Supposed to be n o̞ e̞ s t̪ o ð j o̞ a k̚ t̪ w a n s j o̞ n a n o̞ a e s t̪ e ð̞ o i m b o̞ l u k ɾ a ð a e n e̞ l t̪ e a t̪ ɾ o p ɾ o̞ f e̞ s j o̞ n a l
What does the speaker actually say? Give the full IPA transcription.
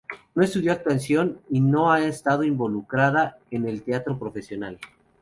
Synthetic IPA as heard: n o̞ e̞ s t̪ u ð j o̞ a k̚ t̪ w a n s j o̞ n i n o̞ a e s t̪ a ð̞ o i m b o̞ l u k ɾ a ð a e n e̞ l t̪ e a t̪ ɾ o p ɾ o̞ f e̞ s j o̞ n a l